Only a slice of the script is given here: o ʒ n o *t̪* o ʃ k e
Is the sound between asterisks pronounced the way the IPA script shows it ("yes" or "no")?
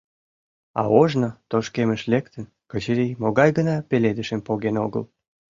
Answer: yes